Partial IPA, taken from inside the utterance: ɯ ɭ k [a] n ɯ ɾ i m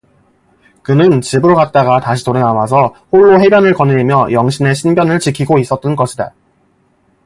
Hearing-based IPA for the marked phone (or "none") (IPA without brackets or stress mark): ʌ